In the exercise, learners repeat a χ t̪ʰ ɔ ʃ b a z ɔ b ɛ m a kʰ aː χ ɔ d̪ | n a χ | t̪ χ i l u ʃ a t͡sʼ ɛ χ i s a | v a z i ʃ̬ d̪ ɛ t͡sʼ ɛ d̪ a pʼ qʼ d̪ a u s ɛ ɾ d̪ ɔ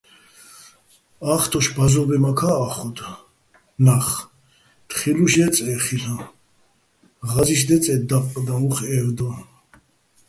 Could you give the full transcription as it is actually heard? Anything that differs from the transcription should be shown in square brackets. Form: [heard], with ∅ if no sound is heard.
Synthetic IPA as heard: a χ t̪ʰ ɔ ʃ b a z ɔ b ɛ m a kʰ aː χ ɔ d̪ | n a χ | t̪ χ i l u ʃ [ɛ] t͡sʼ ɛ χ i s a | [ʁ] a z i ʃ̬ d̪ ɛ t͡sʼ ɛ d̪ a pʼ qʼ d̪ a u [χ] ɛ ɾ d̪ ɔ